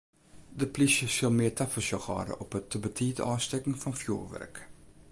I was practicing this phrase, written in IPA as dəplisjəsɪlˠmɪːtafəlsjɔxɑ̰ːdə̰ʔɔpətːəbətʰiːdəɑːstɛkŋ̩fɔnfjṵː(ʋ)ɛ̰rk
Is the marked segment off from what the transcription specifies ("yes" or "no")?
no